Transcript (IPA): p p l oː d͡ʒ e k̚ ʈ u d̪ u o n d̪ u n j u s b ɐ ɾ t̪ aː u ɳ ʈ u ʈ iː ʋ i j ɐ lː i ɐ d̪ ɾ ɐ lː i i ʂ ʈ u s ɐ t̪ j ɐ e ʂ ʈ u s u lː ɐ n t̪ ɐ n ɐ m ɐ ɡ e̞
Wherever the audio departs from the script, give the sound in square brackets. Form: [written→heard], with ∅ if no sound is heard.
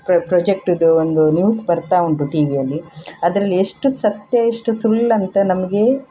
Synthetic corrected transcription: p p [l→ɾ] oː d͡ʒ e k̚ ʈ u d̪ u o n d̪ u n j [u→uː] s b ɐ ɾ t̪ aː u ɳ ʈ u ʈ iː ʋ i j ɐ lː i ɐ d̪ ɾ ɐ lː i [i→e] ʂ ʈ u s ɐ t̪ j ɐ e ʂ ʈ u s u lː ɐ n t̪ ɐ n ɐ m ɐ ɡ e̞